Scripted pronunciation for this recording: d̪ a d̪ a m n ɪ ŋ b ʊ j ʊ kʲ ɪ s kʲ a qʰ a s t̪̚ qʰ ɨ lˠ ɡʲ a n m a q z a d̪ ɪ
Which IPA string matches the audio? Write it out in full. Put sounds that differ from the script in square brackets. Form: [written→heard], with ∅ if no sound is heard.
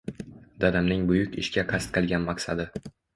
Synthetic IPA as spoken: d̪ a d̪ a m n ɪ ŋ b ʊ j ʊ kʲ ɪ [s→ʃ] kʲ a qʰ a s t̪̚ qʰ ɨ lˠ ɡʲ a n m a q [z→s] a d̪ ɪ